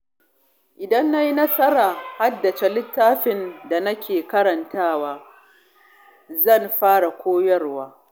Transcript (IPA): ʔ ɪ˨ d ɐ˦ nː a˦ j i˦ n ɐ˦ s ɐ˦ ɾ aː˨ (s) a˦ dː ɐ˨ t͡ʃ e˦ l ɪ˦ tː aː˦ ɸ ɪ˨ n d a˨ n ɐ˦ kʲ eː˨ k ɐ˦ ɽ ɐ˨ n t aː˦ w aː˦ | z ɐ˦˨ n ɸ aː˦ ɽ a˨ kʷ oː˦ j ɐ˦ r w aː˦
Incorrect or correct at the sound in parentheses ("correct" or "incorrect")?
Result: incorrect